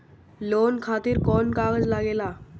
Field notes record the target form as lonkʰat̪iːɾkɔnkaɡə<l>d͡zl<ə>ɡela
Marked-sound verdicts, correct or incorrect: incorrect, incorrect

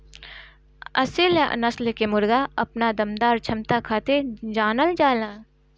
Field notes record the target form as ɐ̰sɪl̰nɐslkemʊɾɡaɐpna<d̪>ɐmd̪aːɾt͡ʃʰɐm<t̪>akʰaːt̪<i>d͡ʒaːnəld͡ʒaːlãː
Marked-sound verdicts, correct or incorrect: correct, correct, incorrect

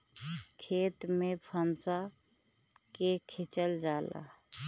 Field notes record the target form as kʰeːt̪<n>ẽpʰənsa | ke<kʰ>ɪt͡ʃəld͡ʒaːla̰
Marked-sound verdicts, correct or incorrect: incorrect, correct

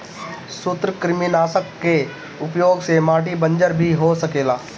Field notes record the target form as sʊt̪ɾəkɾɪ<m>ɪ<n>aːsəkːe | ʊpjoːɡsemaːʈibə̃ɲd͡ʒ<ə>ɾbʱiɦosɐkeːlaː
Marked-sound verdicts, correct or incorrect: correct, correct, correct

